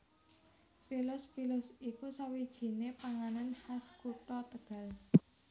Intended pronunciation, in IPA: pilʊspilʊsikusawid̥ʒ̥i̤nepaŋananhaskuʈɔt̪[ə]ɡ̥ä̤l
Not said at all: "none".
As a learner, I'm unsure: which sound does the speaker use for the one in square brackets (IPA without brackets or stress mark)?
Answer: ə